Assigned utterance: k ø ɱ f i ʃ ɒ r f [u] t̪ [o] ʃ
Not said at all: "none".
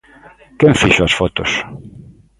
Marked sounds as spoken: o, o

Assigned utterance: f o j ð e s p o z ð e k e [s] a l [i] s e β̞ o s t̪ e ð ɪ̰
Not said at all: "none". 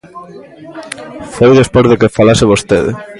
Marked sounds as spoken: f, a

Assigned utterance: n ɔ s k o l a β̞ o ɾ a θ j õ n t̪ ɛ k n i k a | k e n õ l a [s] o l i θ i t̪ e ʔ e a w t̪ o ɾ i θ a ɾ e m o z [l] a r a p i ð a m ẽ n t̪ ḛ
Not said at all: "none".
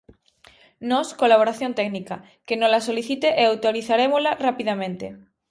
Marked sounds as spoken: s, l

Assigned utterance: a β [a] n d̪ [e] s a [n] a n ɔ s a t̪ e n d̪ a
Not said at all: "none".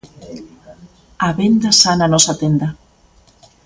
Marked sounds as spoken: e, a, n

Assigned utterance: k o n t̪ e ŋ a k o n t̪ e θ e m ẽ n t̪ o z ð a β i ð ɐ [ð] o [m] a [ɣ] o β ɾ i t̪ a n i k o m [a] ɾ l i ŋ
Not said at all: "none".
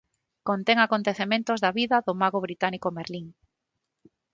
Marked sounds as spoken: ð, m, ɣ, e

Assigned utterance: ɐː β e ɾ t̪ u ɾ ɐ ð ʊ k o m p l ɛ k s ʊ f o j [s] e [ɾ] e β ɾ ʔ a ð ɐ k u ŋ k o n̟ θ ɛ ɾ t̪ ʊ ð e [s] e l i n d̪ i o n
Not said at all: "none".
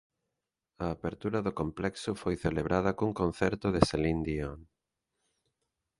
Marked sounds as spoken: θ, l, s

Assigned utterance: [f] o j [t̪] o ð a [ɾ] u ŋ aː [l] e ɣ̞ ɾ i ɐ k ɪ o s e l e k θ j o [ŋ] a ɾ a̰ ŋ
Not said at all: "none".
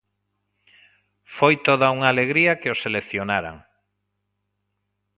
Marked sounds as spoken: f, t̪, none, l, n

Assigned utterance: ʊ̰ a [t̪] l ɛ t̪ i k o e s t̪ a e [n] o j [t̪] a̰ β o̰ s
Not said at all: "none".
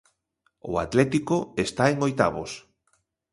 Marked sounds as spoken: t̪, ŋ, t̪

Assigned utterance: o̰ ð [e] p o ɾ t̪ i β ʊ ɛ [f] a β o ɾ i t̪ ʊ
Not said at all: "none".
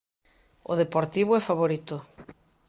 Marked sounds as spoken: e, f

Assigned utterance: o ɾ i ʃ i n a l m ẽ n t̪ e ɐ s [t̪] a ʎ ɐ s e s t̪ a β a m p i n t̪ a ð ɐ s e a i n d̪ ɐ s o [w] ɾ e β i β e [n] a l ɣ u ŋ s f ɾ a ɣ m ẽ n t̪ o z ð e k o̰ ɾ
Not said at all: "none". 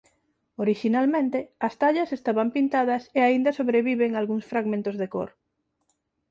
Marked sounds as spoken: t̪, β, ŋ

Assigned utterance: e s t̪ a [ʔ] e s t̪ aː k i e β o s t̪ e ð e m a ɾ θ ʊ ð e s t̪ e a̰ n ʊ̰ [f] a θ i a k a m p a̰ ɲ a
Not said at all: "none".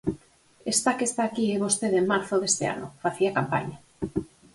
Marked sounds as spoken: k, f

